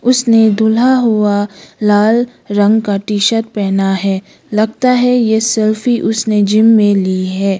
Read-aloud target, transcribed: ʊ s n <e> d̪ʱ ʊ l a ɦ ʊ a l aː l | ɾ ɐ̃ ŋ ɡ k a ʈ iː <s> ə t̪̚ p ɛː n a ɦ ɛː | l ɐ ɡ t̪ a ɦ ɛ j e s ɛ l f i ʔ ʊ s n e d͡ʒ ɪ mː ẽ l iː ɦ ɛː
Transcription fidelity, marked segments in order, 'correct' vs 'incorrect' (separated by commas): correct, incorrect